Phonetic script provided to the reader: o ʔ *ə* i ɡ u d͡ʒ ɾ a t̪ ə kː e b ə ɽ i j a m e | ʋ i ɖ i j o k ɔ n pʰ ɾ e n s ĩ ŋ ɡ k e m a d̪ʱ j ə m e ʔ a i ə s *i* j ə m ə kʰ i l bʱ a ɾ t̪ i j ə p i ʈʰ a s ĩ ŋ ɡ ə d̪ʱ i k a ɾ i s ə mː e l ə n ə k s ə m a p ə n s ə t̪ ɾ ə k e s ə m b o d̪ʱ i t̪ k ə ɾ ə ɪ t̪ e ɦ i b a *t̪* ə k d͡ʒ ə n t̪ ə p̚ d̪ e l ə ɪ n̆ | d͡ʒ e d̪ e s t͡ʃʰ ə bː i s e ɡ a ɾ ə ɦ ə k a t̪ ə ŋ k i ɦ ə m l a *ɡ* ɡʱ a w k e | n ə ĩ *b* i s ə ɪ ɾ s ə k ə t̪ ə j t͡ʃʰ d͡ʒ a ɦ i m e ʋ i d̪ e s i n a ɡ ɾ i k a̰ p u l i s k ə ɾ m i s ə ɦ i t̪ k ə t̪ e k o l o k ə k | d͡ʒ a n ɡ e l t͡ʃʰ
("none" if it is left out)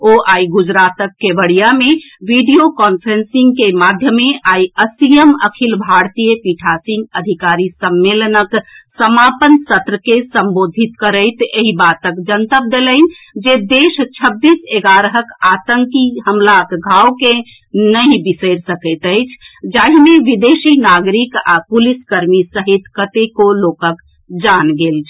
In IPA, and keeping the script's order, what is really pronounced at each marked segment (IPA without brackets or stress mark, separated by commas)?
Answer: a, i, t̪, k, b